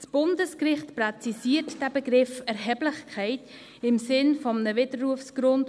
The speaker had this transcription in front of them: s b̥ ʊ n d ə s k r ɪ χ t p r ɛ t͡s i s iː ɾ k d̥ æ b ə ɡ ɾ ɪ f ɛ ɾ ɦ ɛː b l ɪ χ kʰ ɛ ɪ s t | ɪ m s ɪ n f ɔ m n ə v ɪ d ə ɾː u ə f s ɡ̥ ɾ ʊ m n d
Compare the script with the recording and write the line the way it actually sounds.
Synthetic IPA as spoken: s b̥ ʊ n d ə s k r ɪ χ t p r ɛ t͡s i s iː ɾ t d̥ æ b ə ɡ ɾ ɪ f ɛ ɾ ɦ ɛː b l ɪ χ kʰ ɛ ɪ t | ɪ m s ɪ n f ɔ m n ə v ɪ d ə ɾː u ə f s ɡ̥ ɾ ʊ n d